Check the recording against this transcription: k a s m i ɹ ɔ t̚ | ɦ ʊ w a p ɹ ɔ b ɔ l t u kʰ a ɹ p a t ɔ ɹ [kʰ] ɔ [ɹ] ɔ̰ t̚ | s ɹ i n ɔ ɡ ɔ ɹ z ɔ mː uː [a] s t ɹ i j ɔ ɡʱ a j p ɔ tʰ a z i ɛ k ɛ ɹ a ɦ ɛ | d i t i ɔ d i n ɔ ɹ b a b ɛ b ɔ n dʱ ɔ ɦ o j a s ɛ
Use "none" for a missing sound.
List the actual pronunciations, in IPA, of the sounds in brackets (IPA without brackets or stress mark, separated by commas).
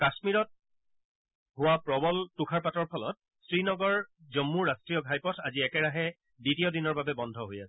pʰ, l, a